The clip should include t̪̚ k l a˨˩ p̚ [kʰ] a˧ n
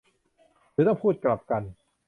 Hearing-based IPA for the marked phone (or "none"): k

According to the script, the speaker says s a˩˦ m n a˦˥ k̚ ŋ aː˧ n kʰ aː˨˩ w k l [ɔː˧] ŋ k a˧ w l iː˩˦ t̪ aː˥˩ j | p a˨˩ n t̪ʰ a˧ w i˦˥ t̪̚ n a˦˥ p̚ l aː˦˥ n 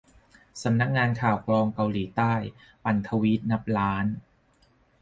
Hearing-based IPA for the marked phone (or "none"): ɔː˧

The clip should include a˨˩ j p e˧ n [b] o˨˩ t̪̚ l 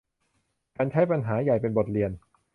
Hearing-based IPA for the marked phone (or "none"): b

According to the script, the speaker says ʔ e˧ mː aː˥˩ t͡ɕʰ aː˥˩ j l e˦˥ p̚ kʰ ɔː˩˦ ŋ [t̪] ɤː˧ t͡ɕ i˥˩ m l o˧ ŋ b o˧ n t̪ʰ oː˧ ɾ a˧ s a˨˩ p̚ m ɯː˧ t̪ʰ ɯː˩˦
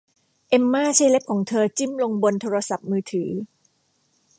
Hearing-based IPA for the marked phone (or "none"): t̪ʰ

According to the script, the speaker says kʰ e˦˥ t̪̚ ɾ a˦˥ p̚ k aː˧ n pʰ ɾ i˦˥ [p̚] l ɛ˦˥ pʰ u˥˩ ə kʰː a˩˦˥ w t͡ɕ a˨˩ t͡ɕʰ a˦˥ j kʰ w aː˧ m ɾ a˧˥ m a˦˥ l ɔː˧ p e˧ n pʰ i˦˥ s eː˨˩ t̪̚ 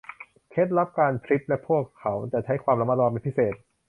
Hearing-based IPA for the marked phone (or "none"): p̚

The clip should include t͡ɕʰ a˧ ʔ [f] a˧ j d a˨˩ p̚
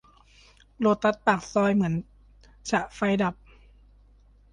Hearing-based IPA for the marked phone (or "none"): f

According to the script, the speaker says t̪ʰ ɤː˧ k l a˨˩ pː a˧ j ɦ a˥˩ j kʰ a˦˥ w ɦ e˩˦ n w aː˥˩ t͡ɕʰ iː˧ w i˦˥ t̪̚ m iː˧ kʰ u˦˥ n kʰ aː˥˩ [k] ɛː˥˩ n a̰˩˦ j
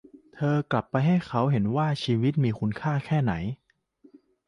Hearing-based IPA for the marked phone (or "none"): kʰ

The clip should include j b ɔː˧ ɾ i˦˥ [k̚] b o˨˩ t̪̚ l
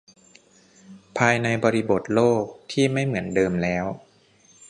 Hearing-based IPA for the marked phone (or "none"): none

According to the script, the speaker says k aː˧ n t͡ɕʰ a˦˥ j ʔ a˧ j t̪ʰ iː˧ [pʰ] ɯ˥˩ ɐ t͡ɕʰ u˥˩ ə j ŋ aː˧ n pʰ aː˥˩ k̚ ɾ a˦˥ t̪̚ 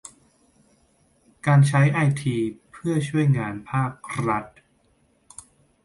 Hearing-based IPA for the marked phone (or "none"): pʰ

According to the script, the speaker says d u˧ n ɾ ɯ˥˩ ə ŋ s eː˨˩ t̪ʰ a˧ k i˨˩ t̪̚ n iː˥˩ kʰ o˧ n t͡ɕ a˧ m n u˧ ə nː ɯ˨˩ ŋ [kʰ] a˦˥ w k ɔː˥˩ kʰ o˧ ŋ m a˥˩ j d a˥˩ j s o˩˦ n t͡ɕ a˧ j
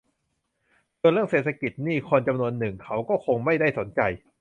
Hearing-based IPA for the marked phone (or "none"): kʰ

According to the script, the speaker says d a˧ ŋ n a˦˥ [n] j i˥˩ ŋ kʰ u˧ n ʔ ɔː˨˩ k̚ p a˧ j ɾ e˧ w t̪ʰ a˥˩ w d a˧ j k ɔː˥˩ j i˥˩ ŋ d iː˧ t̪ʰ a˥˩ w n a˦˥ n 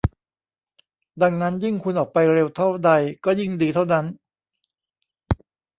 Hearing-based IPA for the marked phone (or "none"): n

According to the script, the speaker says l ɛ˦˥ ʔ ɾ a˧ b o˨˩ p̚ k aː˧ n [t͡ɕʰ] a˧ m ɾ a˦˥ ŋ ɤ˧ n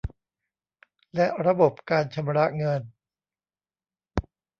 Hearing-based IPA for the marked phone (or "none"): t͡ɕʰ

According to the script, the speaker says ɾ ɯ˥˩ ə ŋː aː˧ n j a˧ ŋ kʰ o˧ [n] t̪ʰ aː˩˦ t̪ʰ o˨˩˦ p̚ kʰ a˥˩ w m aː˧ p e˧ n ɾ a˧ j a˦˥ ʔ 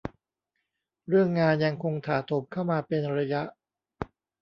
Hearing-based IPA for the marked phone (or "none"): ŋ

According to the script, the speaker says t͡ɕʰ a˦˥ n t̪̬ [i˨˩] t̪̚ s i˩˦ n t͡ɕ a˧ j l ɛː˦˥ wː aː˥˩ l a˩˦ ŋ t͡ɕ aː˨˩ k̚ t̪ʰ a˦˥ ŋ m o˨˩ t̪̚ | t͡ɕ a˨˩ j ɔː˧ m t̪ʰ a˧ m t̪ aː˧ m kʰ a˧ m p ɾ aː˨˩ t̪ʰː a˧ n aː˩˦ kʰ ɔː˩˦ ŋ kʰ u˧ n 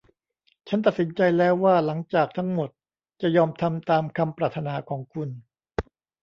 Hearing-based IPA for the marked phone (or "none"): a˨˩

